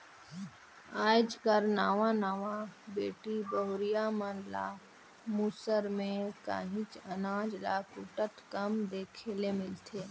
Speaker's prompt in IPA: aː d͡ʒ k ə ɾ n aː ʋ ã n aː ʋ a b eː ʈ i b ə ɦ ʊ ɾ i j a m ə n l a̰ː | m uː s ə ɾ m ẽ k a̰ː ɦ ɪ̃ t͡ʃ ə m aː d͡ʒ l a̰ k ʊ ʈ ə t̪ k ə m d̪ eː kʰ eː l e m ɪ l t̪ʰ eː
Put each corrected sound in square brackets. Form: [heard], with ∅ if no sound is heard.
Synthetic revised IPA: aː d͡ʒ k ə ɾ n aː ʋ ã n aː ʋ a b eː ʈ i b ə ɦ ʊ ɾ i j a m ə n l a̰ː | m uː s ə ɾ m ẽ k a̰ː ɦ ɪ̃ t͡ʃ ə [n] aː d͡ʒ l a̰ k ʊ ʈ ə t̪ k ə m d̪ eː kʰ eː l e m ɪ l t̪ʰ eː